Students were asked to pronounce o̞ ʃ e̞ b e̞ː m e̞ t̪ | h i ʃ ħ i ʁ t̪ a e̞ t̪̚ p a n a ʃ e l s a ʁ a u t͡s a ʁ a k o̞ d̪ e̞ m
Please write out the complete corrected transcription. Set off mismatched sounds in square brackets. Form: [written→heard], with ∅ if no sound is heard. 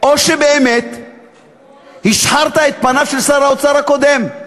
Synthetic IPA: o̞ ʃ e̞ b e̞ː m e̞ t̪ | h i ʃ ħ [i→a] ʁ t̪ a e̞ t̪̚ p a n a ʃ e l s a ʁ a [u→o] t͡s a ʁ a k o̞ d̪ e̞ m

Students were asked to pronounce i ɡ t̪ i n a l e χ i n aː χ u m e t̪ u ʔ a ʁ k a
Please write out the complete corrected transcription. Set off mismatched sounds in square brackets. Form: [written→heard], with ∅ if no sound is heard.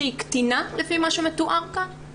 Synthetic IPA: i [ɡ→k] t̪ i n a l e [χ→f] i [n→m] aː [χ→ʃ] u m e t̪ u ʔ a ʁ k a

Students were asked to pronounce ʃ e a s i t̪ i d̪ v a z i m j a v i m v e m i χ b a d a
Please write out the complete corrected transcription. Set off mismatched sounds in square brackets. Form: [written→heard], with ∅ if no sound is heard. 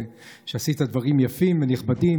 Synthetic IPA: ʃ e a s i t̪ [i→a] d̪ v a [z→ʁ] i m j a [v→f] i m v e [m→n] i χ b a d [a→i]

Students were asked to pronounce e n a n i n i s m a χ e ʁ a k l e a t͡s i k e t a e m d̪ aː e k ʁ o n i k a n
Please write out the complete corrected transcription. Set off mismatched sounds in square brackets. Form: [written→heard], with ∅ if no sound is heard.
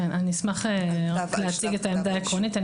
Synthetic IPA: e n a n i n i s m a χ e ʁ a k l e a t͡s i [k→ɡ] e t a e m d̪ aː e k ʁ o n i [k→t] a n

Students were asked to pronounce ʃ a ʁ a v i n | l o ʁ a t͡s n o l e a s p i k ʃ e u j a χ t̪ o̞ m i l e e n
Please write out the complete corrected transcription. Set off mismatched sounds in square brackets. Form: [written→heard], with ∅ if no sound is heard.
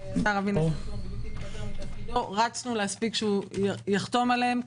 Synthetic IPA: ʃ a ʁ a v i n | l o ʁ a t͡s n [o→u] l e a s p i k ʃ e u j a χ t̪ o̞ m [i→a] l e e [n→m]

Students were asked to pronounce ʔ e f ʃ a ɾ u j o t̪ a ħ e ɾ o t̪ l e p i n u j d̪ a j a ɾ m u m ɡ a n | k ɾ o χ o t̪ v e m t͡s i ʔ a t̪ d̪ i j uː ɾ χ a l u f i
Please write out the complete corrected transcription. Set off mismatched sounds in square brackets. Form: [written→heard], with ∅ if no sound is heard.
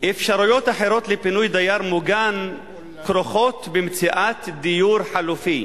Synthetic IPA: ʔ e f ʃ a ɾ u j o t̪ a ħ e ɾ o t̪ l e p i n u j d̪ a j a ɾ m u [m→∅] ɡ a n | k ɾ o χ o t̪ [v→b] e m t͡s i ʔ a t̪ d̪ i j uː ɾ [χ→ħ] a l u f i

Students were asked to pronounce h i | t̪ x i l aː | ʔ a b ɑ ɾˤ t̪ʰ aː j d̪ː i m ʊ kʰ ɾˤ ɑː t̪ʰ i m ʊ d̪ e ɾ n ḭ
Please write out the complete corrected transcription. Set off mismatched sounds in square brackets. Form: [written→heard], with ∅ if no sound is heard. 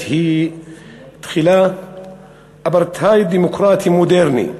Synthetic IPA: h i | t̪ x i l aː | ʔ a b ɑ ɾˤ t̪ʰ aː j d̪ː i m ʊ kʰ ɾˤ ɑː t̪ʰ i m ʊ d̪ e ɾ n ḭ

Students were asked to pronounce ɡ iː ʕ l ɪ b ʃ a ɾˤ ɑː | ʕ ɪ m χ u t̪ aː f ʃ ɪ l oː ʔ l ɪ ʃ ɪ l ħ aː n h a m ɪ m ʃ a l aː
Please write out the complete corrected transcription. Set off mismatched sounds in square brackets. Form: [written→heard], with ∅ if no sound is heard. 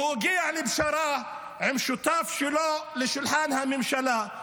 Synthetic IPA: ɡ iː ʕ l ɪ b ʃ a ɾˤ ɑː | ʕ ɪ m [χ→ʃ] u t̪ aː f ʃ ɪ l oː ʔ l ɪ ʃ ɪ l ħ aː n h a m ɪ m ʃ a l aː

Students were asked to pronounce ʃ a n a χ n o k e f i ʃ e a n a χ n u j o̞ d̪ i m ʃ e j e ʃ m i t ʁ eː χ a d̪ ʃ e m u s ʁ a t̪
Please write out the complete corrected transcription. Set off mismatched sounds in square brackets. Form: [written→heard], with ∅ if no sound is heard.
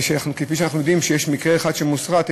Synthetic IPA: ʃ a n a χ n [o→u] k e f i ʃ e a n a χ n u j o̞ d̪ i m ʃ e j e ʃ m i [t→k] ʁ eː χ a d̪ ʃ e m u s ʁ a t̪

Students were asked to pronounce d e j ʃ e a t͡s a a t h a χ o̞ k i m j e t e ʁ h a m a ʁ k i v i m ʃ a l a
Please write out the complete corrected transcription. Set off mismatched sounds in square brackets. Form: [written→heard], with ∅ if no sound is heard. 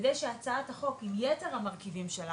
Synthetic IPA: d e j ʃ e a t͡s a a t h a χ o̞ k i m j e t e ʁ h a m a ʁ k i v i m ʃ [a→e] l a

